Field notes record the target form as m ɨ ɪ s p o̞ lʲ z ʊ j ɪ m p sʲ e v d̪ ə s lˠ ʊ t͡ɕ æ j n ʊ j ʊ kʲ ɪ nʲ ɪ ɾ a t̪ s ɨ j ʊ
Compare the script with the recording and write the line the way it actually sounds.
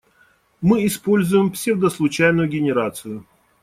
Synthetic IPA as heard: m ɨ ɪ s p o̞ lʲ z ʊ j ɪ m p sʲ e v d̪ ə s lˠ ʊ t͡ɕ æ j n ʊ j ʊ ɡʲ ɪ nʲ ɪ ɾ a t̪ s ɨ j ʊ